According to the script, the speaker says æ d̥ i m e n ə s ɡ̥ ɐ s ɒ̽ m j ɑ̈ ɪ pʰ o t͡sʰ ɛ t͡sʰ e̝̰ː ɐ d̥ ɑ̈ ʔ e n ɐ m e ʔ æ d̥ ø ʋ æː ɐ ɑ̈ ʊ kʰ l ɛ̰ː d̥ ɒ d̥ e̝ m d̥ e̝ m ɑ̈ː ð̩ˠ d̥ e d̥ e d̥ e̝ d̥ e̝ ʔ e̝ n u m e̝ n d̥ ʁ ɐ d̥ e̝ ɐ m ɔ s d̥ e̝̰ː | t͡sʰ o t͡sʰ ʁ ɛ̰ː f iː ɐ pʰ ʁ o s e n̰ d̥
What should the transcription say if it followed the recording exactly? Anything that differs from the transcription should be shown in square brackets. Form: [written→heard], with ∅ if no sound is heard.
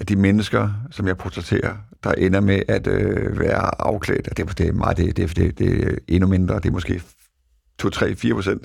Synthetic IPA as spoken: æ d̥ i m e n ə s ɡ̥ ɐ s ɒ̽ m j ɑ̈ ɪ pʰ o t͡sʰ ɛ t͡sʰ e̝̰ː ɐ d̥ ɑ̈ ʔ e n ɐ m e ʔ æ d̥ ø ʋ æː ɐ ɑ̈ ʊ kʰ l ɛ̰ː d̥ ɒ d̥ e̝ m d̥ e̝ m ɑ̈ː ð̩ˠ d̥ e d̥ e d̥ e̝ d̥ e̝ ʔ e̝ n u m e̝ n d̥ ʁ ɐ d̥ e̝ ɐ m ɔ s [d̥→ɡ̥] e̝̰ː | t͡sʰ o t͡sʰ ʁ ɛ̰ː f iː ɐ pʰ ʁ o s e n̰ d̥